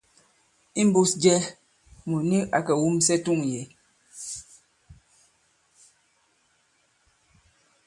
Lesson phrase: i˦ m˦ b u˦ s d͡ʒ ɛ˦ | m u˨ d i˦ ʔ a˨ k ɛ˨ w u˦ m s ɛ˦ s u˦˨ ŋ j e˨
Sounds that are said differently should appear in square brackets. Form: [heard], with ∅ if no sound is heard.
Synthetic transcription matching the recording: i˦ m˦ b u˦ s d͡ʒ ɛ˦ | m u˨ [n] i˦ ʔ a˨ k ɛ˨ w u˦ m s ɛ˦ [t] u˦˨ ŋ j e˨

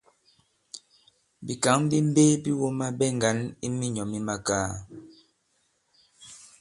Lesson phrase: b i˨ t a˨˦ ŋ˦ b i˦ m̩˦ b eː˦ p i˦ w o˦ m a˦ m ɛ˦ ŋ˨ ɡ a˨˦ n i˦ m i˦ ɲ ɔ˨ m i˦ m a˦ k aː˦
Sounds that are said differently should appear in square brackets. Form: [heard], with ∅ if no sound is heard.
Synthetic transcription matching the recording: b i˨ [k] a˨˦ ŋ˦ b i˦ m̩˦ b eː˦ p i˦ w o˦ m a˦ [b] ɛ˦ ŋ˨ ɡ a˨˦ n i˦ m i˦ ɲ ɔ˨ m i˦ m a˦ k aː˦

